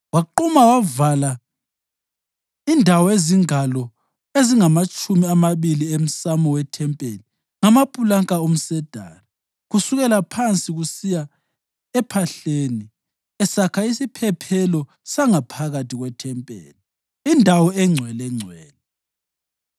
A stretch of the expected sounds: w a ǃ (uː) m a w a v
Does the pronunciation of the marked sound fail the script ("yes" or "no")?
yes